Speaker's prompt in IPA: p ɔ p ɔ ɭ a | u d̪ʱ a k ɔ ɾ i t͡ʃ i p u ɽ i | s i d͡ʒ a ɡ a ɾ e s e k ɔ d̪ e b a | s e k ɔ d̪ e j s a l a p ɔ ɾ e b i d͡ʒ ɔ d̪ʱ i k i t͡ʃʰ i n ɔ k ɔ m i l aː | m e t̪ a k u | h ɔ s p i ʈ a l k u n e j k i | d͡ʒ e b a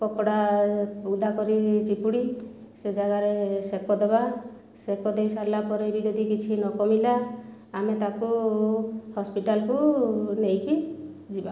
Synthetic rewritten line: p ɔ p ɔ ɽ a | u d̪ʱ a k ɔ ɾ i t͡ʃ i p u ɽ i | s e d͡ʒ a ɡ a ɾ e s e k ɔ d̪ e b a | s e k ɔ d̪ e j s a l a p ɔ ɾ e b i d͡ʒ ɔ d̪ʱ i k i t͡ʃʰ i n ɔ k ɔ m i l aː | m e t̪ a k u | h ɔ s p i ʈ a l k u n e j k i | d͡ʒ i b a

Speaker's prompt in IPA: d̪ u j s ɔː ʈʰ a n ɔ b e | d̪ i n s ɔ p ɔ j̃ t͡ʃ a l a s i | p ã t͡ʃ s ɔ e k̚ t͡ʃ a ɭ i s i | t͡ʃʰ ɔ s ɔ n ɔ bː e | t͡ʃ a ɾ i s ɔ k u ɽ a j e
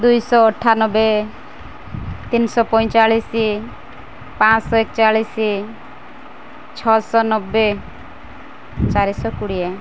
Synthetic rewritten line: d̪ u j s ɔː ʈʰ a n ɔ b e | t̪ i n s ɔ p ɔ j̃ t͡ʃ a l i s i | p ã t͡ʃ s ɔ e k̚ t͡ʃ a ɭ i s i | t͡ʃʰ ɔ s ɔ n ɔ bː e | t͡ʃ a ɾ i s ɔ k u ɽ i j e

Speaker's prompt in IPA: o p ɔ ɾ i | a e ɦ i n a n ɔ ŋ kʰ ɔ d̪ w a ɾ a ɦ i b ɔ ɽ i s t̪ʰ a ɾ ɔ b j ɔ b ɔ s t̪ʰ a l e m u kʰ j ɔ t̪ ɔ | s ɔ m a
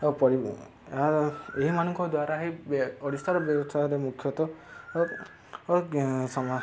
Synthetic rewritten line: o p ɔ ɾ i | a e ɦ i m a n ɔ ŋ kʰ ɔ d̪ w a ɾ a ɦ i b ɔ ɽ i s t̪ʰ a ɾ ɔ b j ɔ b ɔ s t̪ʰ a ɾ e m u kʰ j ɔ t̪ ɔ | s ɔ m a

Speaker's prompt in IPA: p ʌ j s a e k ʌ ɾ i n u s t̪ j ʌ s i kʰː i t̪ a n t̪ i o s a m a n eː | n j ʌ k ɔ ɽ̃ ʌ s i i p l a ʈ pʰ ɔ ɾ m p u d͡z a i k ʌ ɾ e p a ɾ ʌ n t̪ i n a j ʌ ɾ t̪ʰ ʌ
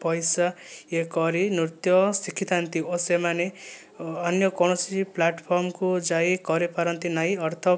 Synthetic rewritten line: p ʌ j s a e k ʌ ɾ i n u t̪ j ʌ s i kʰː i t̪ a n t̪ i o s e m a n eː | n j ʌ k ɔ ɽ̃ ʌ s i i p l a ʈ pʰ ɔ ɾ m k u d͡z a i k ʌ ɾ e p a ɾ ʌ n t̪ i n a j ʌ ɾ t̪ʰ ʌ

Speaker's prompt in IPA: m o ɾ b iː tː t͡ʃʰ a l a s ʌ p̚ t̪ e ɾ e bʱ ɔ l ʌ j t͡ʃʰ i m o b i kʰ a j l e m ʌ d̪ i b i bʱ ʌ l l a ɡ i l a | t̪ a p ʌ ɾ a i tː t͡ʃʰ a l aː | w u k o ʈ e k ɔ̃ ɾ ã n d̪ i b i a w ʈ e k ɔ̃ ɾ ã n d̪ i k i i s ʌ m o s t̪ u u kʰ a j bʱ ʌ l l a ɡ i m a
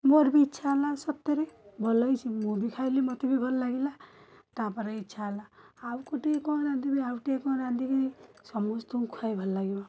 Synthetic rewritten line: m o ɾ b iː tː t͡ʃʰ a l a s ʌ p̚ t̪ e ɾ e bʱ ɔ l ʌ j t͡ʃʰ i m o b i kʰ a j l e m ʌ t̪ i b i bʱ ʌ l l a ɡ i l a | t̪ a p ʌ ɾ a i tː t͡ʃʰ a l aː | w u k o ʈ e k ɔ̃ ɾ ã n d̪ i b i a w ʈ e k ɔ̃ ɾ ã n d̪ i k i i s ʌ m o s t̪ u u kʰ a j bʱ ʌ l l a ɡ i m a

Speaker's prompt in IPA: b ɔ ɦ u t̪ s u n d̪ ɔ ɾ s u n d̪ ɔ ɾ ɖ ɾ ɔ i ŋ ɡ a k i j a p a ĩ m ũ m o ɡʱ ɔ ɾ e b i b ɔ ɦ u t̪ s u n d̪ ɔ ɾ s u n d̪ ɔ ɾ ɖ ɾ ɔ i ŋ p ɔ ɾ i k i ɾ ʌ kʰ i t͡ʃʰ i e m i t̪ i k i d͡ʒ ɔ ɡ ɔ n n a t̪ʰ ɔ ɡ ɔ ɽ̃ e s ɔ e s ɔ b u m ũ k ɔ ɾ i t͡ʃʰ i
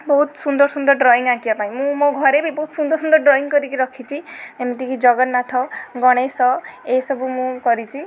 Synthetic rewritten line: b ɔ ɦ u t̪ s u n d̪ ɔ ɾ s u n d̪ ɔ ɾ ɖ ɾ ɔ i ŋ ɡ a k i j a p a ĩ m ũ m o ɡʱ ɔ ɾ e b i b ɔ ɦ u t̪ s u n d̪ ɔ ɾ s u n d̪ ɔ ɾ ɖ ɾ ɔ i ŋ k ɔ ɾ i k i ɾ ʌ kʰ i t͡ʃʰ i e m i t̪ i k i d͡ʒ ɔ ɡ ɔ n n a t̪ʰ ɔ ɡ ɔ ɽ̃ e s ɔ e s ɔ b u m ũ k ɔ ɾ i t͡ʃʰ i

